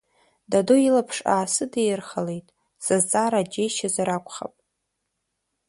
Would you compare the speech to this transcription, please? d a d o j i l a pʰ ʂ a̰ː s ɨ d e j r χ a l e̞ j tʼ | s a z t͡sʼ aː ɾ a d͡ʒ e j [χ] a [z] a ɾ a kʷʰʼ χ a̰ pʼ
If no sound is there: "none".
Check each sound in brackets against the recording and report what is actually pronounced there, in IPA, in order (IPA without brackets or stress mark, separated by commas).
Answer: ʃ, z